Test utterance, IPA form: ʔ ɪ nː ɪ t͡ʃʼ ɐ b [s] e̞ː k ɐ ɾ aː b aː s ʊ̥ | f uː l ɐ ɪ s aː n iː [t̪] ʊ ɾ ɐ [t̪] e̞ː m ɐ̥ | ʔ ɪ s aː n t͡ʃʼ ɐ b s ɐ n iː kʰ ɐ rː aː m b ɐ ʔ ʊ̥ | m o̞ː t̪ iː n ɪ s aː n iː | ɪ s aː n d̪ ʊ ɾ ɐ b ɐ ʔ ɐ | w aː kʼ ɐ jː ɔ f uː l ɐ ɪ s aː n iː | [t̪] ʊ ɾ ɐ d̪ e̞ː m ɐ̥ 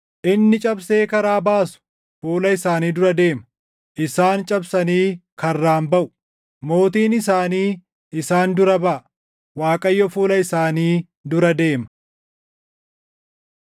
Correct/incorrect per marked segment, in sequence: correct, incorrect: d̪, incorrect: d̪, incorrect: d̪

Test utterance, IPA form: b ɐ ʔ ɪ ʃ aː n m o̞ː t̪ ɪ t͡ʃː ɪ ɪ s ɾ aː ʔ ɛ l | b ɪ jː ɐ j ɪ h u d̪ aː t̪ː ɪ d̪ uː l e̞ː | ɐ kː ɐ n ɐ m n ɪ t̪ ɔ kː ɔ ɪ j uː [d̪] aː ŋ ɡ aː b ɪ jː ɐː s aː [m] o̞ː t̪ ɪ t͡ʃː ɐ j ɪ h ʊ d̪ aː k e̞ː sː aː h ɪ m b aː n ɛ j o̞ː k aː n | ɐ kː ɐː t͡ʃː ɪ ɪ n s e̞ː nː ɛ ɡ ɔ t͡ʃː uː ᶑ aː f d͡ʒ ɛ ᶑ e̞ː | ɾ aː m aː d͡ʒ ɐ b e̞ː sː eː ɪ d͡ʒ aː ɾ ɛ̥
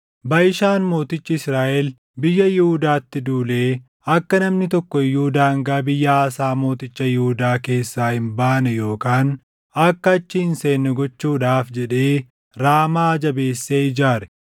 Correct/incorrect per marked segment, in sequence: correct, correct

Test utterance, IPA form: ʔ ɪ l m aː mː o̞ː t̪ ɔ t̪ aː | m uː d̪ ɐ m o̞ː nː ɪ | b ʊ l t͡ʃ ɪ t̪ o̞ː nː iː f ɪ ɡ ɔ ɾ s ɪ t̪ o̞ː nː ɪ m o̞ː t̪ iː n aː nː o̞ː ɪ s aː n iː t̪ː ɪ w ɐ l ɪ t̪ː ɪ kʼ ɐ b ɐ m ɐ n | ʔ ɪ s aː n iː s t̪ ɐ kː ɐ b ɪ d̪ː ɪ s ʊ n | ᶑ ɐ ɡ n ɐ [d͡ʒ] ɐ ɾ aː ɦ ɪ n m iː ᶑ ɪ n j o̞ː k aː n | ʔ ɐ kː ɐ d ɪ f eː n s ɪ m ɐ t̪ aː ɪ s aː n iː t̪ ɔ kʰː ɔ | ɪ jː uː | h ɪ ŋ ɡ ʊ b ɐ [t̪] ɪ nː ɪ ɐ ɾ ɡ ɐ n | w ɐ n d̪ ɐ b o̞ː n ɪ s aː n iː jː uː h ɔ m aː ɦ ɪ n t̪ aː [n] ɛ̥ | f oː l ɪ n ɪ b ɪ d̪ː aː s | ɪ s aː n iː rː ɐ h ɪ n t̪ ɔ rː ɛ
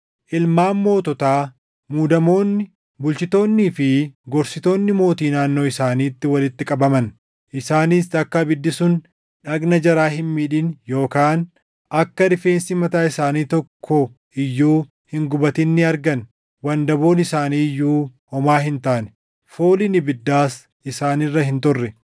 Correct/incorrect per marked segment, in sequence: correct, correct, correct

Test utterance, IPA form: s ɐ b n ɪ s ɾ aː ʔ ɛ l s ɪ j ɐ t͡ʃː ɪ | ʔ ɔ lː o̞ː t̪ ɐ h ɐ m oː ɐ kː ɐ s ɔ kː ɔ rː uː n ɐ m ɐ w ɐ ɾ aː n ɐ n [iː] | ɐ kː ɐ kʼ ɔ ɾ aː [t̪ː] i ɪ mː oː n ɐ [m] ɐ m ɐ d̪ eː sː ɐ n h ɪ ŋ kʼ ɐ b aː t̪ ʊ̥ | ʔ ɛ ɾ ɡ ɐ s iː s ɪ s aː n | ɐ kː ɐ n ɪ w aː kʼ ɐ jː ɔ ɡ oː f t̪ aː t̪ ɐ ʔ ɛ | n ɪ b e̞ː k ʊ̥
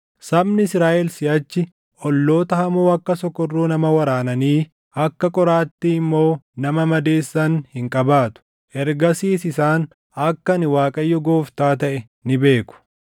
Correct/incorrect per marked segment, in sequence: correct, correct, correct

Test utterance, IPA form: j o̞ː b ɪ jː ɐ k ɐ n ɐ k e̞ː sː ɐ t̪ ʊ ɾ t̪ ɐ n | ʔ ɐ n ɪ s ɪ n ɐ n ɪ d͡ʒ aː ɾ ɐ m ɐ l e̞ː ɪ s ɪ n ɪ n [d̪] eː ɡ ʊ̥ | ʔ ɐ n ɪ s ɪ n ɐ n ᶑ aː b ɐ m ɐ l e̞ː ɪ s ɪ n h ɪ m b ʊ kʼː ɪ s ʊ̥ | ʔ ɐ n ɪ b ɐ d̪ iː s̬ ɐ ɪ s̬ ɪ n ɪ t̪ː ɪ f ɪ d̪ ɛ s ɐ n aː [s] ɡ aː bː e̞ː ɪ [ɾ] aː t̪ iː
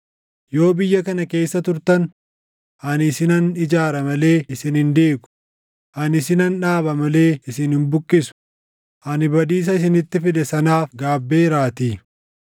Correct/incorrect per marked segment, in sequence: correct, incorrect: f, correct

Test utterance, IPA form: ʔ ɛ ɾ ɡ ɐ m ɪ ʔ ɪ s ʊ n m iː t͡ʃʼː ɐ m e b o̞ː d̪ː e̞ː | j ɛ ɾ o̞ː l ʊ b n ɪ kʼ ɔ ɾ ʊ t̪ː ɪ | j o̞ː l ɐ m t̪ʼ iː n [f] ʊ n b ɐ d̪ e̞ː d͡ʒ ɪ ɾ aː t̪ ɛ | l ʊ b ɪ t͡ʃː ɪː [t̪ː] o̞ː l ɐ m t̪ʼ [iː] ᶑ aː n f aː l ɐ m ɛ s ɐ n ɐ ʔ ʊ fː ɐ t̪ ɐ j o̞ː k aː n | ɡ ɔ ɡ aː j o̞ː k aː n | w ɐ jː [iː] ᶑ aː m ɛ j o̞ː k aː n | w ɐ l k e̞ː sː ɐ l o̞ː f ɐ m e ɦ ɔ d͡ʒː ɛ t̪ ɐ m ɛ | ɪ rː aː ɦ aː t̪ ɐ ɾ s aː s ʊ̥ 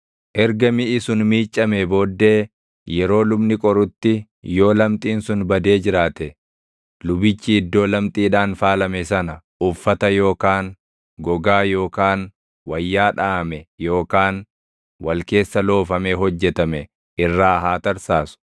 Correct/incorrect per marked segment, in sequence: incorrect: s, incorrect: d̪ː, correct, incorrect: aː

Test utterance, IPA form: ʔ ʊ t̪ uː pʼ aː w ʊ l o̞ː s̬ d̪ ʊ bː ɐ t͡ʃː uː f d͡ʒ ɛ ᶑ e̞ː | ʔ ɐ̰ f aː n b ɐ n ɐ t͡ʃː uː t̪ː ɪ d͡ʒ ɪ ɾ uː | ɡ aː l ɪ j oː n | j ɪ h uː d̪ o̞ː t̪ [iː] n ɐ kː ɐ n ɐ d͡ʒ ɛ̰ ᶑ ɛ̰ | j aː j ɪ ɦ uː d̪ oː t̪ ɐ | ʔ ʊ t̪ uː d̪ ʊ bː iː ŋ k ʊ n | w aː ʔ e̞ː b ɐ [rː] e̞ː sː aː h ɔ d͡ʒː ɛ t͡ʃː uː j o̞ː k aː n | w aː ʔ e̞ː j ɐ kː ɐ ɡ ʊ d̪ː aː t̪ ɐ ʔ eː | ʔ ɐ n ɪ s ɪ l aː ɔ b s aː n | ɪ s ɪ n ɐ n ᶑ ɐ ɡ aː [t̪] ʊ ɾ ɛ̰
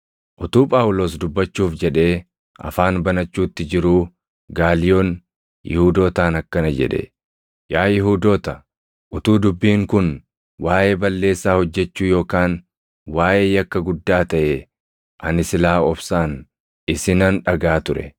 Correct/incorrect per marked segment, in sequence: incorrect: aː, incorrect: lː, correct

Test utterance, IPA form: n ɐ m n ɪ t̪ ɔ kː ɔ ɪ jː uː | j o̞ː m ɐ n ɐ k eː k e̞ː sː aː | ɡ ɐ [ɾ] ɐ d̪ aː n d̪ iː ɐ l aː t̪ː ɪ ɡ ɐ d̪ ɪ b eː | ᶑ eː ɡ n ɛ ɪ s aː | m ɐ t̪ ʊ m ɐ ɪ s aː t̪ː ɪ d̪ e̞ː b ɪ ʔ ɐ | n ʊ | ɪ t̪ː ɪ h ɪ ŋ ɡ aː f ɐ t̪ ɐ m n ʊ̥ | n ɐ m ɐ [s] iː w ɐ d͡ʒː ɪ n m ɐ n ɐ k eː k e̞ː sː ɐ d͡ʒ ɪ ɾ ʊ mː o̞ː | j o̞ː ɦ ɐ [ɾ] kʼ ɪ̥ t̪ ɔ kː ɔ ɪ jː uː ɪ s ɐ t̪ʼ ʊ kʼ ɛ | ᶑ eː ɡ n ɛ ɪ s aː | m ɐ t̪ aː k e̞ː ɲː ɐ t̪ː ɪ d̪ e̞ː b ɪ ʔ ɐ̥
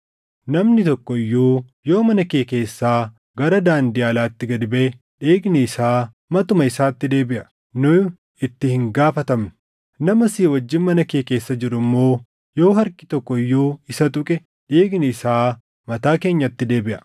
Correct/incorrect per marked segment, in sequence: correct, correct, correct

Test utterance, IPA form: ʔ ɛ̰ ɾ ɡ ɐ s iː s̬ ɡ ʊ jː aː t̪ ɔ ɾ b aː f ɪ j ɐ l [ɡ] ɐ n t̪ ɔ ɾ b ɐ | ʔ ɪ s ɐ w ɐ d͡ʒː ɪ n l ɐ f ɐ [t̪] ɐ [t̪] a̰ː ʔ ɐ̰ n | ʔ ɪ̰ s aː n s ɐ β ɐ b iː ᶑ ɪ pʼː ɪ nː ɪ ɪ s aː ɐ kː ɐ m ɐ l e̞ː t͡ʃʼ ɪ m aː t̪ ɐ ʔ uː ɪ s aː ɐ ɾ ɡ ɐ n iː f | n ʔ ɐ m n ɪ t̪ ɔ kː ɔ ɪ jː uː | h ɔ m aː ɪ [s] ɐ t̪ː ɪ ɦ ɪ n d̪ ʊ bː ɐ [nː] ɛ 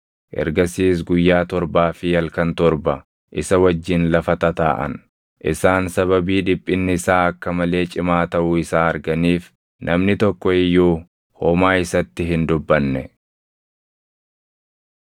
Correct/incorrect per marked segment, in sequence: incorrect: k, correct, correct, correct, correct

